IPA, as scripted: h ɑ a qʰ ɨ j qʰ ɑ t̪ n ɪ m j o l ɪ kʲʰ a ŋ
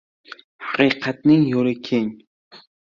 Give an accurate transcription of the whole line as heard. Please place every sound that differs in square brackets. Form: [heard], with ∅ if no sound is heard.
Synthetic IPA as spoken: h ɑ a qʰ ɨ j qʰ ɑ t̪ n ɪ [ŋ] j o l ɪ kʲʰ [e] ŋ